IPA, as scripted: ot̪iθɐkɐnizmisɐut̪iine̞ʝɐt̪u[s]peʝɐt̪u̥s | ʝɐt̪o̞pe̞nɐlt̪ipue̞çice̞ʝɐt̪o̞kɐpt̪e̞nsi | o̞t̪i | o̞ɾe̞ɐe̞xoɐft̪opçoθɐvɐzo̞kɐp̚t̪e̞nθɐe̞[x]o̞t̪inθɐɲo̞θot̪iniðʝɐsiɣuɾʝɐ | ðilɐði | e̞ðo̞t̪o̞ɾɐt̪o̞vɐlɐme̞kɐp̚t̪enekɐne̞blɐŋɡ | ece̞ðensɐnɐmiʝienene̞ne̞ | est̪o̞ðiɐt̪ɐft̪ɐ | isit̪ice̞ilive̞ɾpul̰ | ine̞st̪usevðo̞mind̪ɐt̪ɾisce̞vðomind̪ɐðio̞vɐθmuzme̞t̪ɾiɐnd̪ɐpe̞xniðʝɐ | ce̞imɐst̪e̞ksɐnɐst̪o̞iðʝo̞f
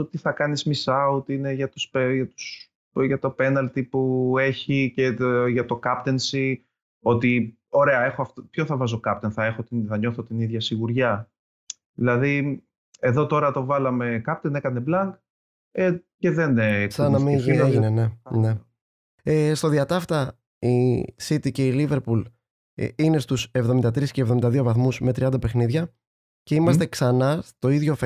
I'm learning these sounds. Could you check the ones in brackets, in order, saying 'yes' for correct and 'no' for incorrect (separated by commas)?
yes, yes